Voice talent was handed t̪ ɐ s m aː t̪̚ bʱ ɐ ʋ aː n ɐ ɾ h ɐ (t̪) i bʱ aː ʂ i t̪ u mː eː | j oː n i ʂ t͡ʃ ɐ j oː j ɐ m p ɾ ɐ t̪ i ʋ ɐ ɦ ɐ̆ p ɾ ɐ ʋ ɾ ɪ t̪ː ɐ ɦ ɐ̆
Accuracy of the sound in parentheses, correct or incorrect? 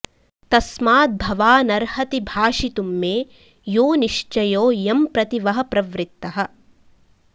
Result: correct